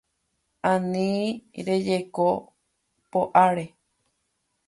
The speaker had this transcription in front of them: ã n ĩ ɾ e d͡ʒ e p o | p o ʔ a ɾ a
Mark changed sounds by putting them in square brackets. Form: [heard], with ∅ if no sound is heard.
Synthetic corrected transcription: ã n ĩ ɾ e d͡ʒ e [k] o | p o ʔ a ɾ [e]

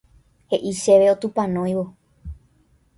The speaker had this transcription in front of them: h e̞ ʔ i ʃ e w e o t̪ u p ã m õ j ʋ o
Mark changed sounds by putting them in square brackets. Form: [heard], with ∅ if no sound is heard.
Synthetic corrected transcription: h e̞ ʔ i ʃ e [ʋ] e o t̪ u p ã [n] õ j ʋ o

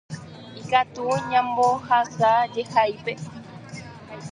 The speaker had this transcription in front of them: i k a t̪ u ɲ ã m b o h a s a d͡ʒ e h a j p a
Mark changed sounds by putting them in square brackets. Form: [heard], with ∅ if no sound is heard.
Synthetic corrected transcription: i k a t̪ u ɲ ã m b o h a s a d͡ʒ e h a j p [e]

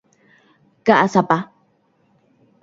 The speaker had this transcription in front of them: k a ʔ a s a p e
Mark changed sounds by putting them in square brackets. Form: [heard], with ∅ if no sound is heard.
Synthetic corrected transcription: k a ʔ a s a p [a]

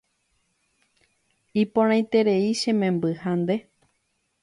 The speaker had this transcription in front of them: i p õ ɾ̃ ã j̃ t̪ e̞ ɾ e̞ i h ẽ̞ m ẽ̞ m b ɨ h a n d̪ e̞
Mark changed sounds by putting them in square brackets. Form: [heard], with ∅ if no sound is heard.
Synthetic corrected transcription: i p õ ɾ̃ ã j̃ t̪ e̞ ɾ e̞ i [ʃ] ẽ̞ m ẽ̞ m b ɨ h a n d̪ e̞

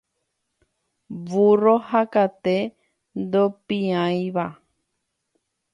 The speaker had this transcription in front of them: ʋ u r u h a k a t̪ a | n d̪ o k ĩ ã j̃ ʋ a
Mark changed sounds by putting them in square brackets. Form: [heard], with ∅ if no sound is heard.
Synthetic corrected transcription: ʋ u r [o] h a k a t̪ [e] | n d̪ o [p] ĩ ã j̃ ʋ a

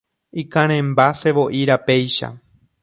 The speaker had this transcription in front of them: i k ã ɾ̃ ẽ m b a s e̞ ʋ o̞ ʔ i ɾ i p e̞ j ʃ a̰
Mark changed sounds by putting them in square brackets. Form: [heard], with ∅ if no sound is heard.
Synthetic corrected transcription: i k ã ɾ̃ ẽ m b a s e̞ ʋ o̞ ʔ i ɾ [a] p e̞ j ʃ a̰

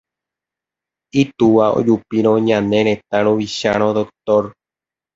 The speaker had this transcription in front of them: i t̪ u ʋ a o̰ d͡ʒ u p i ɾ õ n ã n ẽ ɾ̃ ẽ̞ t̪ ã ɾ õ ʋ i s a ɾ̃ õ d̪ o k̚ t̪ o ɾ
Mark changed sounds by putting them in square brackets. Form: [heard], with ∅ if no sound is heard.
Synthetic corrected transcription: i t̪ u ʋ a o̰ d͡ʒ u p i ɾ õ [ɲ] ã n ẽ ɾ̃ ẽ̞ t̪ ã ɾ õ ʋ i [ʃ] a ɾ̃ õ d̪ o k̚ t̪ o ɾ

